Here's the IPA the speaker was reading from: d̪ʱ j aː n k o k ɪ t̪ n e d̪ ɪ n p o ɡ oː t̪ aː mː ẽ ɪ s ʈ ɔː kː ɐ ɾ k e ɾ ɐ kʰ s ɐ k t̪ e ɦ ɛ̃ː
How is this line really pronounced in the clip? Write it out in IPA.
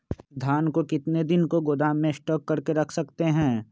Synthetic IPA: d̪ʱ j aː n k o k ɪ t̪ n e d̪ ɪ n k o ɡ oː d̪ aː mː ẽ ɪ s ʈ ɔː kː ɐ ɾ k e ɾ ɐ kʰ s ɐ k t̪ e ɦ ɛ̃ː